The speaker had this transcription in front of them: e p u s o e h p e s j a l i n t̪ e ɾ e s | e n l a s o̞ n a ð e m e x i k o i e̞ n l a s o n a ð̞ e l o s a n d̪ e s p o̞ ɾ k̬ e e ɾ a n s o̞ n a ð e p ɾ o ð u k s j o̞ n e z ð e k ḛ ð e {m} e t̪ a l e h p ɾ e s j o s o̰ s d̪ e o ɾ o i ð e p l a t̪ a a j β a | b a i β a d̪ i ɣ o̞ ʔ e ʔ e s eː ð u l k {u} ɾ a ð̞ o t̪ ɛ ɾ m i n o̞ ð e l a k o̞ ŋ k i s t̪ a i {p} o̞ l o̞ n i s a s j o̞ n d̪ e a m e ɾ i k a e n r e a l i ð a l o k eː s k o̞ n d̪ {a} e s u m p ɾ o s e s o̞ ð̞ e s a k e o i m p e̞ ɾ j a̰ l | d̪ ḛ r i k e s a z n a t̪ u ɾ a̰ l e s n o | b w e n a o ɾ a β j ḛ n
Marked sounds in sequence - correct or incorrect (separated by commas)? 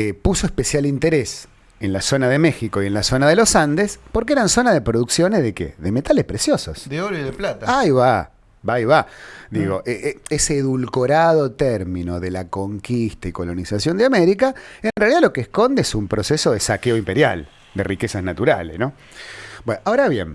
correct, incorrect, incorrect, incorrect